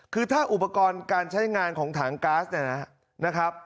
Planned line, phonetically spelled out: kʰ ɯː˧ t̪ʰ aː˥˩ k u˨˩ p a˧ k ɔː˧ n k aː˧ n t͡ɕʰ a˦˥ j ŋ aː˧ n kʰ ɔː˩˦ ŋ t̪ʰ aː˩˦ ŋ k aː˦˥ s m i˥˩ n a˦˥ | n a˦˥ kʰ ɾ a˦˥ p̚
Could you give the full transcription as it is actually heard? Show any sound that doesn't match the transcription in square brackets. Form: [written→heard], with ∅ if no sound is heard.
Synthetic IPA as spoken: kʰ ɯː˧ t̪ʰ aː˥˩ [k→ʔ] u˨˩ p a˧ k ɔː˧ n k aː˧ n t͡ɕʰ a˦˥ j ŋ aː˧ n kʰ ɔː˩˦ ŋ t̪ʰ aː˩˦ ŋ k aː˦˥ s [m→n] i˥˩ n a˦˥ | n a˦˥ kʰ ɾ a˦˥ p̚